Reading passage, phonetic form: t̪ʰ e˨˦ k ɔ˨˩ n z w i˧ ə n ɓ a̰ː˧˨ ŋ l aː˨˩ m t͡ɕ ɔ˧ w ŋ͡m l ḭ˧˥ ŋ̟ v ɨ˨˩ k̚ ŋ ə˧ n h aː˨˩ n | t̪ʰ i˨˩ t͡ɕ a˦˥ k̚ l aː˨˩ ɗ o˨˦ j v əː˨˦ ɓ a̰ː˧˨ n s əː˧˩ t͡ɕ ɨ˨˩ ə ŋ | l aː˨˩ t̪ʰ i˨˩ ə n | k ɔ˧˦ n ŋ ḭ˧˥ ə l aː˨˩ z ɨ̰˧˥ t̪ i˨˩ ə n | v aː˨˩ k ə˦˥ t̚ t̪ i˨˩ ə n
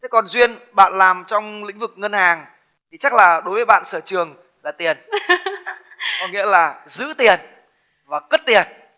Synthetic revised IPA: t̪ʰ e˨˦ k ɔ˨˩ n z w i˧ ə n ɓ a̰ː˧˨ n l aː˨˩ m t͡ɕ ɔ˧ w ŋ͡m l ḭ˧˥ ŋ̟ v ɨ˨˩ k̚ ŋ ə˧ n h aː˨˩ ŋ | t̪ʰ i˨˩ t͡ɕ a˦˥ k̚ l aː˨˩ ɗ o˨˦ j v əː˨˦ ɓ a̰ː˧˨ n s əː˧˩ t͡ɕ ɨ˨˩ ə ŋ | l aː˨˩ t̪ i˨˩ ə n | k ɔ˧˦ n ŋ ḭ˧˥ ə l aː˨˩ z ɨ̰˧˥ t̪ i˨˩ ə n | v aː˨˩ k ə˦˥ t̚ t̪ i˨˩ ə n